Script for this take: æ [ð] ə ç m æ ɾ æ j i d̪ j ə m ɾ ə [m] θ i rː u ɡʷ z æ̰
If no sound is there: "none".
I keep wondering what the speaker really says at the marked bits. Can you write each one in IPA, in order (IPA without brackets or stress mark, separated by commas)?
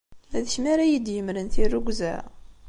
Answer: ð, n